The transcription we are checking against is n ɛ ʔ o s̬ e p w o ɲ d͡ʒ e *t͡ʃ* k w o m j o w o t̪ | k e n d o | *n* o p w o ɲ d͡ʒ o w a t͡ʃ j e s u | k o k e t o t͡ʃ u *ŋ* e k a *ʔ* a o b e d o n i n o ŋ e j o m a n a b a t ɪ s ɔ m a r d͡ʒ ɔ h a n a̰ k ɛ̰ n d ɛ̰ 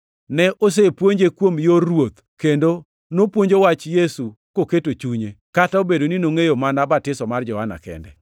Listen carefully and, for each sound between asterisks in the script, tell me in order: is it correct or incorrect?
incorrect, correct, incorrect, incorrect

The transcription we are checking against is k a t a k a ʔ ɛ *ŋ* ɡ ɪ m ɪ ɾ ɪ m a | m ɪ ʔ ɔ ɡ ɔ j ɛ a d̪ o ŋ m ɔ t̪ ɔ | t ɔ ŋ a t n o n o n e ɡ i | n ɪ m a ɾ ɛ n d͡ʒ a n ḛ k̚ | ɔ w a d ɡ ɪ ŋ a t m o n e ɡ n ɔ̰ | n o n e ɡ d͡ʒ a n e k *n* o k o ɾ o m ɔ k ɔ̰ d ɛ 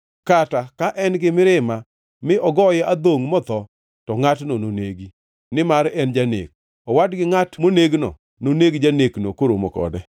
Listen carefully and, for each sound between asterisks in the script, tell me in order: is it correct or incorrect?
incorrect, correct

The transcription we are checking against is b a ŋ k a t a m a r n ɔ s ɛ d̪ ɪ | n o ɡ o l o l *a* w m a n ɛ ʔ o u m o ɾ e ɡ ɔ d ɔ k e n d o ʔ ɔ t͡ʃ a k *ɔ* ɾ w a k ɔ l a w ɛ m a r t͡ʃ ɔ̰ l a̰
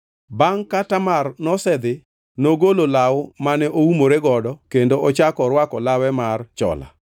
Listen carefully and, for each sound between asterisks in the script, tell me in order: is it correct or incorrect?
correct, correct

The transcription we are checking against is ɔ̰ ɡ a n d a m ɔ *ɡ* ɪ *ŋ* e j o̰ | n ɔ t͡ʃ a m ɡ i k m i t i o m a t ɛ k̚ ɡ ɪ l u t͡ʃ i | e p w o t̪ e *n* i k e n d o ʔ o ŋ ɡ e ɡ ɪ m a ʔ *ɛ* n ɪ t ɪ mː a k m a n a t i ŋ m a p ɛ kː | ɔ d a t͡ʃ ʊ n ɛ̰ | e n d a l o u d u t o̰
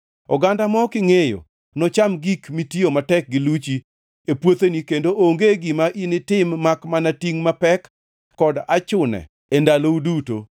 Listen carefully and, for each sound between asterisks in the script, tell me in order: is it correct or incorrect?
incorrect, correct, correct, incorrect

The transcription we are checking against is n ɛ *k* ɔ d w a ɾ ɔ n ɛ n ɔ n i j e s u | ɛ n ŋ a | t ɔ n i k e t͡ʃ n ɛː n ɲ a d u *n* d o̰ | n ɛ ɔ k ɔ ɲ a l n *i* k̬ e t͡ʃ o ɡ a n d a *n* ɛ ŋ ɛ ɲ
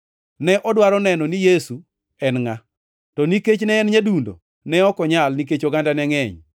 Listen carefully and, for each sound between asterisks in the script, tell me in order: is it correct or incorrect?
incorrect, correct, correct, correct

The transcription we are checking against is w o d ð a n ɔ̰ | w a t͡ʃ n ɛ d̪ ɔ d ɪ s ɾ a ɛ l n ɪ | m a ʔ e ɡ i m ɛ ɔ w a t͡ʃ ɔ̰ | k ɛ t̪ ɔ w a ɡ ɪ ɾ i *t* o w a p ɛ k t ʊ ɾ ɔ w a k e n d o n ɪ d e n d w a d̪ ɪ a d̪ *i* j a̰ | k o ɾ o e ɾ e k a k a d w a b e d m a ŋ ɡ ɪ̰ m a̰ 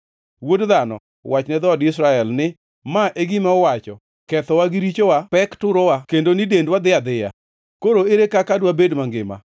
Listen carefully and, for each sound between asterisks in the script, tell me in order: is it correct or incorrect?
incorrect, incorrect

